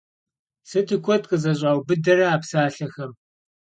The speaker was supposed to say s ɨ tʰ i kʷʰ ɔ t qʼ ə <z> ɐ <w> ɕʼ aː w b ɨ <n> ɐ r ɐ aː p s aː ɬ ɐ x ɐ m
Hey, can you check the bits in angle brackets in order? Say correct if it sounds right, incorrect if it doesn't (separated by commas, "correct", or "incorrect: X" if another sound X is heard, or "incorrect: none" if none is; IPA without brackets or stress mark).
correct, incorrect: none, incorrect: d